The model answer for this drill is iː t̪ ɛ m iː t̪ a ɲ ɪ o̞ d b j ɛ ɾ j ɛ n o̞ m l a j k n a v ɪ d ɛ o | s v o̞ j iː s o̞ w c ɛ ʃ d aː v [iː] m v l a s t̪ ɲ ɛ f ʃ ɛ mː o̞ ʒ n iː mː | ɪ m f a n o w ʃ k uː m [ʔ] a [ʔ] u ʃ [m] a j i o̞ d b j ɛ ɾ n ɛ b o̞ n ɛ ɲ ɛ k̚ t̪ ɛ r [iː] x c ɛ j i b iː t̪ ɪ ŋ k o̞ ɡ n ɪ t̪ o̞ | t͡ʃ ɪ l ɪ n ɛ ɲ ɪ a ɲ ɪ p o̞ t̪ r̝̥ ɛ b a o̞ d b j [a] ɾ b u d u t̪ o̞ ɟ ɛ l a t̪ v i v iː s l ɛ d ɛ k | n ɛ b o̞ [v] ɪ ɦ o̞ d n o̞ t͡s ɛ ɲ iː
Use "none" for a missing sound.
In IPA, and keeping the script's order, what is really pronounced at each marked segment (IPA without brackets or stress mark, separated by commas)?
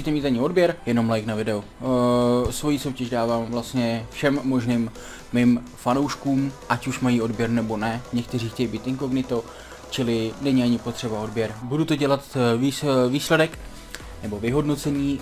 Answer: aː, ʔ, c, m, iː, ɛ, v